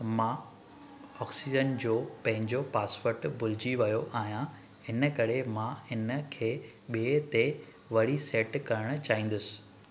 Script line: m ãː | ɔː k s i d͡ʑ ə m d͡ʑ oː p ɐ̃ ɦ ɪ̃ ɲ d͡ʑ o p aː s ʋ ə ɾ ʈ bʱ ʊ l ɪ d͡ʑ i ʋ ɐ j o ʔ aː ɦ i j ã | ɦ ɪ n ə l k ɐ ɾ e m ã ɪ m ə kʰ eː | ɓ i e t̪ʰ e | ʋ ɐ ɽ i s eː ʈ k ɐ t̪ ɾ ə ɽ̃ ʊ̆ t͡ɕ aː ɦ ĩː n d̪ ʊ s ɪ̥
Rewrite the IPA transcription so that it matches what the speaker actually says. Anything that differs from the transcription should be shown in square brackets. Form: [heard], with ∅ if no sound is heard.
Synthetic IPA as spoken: m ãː | ɔː k s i d͡ʑ ə [n] d͡ʑ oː p ɐ̃ ɦ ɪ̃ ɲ d͡ʑ o p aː s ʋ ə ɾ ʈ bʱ ʊ l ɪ d͡ʑ i ʋ ɐ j o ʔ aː ɦ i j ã | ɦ ɪ n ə [∅] k ɐ ɾ e m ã ɪ [n] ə kʰ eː | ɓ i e [t̪] e | ʋ ɐ ɽ i s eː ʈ k ɐ [∅] ɾ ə ɽ̃ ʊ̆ t͡ɕ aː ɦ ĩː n d̪ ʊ s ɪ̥